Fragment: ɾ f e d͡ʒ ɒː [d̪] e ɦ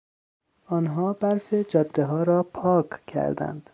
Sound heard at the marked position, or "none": d̪ː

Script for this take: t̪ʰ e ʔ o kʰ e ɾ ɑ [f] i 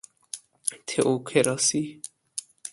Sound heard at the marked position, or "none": s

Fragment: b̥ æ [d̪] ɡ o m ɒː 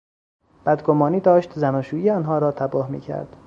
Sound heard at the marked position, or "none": d̪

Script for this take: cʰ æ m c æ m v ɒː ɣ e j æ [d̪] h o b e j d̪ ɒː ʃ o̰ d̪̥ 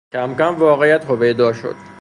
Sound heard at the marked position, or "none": t̪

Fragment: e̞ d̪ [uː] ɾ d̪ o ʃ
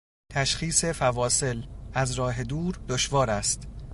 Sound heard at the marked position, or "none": uː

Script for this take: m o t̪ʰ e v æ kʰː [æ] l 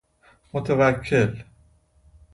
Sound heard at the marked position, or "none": e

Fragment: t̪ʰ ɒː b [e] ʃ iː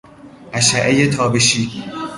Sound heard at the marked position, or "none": e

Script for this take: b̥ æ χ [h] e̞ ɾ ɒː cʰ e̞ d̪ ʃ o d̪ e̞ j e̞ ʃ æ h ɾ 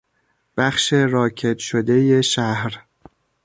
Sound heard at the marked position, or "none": ʃ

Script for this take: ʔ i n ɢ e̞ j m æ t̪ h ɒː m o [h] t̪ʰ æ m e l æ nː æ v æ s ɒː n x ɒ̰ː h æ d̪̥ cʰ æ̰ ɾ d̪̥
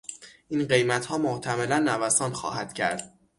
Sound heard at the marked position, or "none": h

